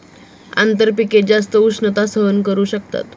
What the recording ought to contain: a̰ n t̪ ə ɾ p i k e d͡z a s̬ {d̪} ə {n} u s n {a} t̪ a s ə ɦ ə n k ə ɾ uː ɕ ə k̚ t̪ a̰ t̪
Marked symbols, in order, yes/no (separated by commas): no, no, no